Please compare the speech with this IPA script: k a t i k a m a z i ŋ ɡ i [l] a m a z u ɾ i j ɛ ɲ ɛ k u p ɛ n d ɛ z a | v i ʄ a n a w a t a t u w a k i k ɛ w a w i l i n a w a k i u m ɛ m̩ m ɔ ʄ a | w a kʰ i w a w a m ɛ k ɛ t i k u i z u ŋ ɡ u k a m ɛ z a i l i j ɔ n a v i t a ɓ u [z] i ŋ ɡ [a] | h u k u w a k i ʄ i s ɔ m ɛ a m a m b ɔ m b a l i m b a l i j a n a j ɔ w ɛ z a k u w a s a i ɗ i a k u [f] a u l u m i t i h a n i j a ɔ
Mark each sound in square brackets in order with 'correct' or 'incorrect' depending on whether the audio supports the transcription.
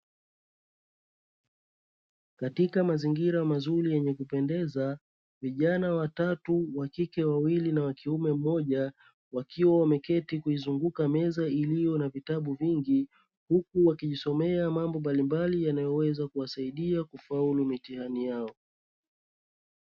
incorrect, incorrect, incorrect, correct

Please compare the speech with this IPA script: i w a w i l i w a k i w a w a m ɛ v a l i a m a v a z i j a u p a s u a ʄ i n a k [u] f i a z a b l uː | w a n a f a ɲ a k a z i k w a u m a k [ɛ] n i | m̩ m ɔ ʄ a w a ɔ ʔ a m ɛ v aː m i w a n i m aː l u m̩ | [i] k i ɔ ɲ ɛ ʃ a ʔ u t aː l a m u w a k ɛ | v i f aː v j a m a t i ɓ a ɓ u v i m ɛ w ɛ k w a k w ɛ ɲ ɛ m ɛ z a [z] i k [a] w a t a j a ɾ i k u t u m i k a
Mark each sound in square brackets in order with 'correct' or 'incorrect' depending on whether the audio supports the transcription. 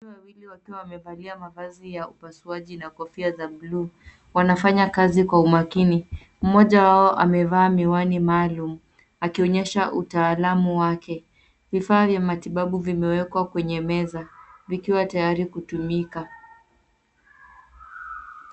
incorrect, incorrect, incorrect, incorrect, incorrect

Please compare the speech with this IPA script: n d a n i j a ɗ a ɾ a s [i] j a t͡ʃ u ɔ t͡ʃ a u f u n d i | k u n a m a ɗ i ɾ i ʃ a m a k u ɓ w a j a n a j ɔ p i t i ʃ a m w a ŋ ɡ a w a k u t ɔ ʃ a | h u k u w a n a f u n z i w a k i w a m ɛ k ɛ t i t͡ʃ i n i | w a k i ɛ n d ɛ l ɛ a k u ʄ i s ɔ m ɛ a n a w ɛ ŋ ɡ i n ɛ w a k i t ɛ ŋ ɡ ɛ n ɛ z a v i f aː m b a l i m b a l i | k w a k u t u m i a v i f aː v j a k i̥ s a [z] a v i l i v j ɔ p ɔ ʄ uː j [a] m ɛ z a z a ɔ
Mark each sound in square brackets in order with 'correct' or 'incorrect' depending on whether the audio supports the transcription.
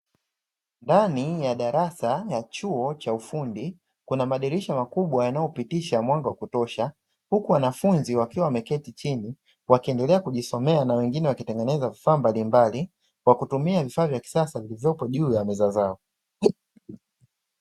incorrect, incorrect, correct

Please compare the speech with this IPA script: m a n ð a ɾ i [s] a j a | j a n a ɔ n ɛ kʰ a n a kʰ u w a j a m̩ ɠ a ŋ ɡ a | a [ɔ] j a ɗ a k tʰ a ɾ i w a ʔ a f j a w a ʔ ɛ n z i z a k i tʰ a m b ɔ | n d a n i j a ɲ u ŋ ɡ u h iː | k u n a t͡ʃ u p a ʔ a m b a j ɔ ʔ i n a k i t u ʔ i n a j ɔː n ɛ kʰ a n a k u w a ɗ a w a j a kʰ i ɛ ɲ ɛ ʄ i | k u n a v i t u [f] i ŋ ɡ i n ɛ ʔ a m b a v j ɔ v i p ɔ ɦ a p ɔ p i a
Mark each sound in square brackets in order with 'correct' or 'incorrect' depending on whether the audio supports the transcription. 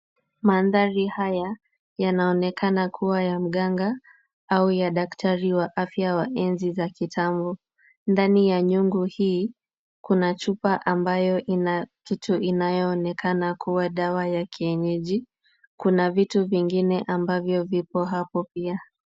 incorrect, incorrect, incorrect

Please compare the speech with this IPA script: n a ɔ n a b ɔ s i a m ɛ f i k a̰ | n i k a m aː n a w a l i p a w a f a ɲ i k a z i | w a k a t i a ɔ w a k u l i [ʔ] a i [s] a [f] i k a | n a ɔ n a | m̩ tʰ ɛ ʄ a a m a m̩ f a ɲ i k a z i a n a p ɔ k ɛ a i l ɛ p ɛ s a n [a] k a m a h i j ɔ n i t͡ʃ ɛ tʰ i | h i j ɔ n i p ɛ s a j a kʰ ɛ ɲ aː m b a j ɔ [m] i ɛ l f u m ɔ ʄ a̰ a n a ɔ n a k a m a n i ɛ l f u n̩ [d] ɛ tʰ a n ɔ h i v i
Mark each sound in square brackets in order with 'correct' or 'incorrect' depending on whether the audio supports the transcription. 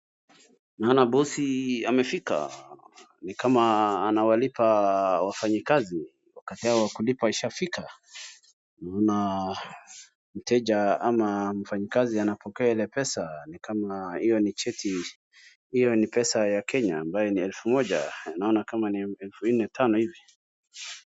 incorrect, incorrect, correct, incorrect, incorrect, incorrect

